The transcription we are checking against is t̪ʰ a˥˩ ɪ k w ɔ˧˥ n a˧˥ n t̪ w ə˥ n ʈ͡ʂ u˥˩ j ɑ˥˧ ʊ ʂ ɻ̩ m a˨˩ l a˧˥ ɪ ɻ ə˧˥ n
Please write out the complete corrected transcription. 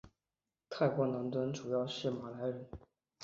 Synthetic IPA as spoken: t̪ʰ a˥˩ ɪ k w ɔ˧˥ n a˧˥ n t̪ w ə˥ n ʈ͡ʂ u˨˩ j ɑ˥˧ ʊ ʂ ɻ̩ m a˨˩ l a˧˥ ɪ ɻ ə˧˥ n